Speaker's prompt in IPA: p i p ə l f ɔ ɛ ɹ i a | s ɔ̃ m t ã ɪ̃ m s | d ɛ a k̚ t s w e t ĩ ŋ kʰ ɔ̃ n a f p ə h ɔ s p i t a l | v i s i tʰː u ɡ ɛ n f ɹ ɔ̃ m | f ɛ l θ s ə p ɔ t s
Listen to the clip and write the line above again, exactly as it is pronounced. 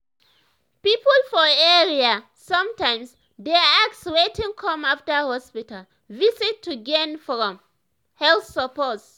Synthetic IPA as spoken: p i p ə l f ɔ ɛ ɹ i a | s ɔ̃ m t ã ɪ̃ m s | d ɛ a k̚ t s w e t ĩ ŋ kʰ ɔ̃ m a f t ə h ɔ s p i t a l | v i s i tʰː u ɡ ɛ n f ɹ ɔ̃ m | h ɛ l θ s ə p ɔ t s